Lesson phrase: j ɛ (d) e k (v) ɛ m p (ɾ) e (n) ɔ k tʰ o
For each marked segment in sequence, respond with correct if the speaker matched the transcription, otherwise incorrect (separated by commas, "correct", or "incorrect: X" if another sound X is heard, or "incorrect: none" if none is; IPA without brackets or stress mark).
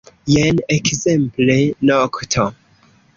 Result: incorrect: n, incorrect: z, incorrect: l, correct